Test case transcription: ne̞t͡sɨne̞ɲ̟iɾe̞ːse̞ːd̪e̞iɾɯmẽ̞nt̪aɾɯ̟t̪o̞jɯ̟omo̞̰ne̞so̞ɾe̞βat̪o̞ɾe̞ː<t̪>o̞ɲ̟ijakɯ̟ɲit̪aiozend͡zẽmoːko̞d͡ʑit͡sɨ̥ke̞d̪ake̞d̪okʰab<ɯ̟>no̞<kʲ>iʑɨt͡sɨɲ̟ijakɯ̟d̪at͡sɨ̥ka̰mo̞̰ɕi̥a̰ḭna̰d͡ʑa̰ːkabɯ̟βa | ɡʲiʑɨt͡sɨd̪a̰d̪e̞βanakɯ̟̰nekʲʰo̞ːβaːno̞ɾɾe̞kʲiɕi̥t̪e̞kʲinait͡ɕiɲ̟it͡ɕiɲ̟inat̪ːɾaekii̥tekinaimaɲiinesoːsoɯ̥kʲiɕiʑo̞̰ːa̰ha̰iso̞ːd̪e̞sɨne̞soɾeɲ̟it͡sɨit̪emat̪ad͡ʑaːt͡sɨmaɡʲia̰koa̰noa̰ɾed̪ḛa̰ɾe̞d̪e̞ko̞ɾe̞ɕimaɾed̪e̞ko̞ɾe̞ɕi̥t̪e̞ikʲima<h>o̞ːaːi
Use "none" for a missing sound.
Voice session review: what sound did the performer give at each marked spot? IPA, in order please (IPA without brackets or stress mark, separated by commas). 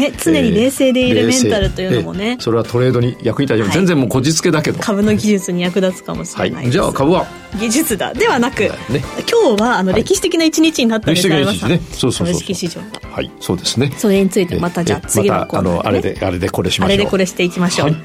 d̪, ɯ̟, ɡʲ, ɕ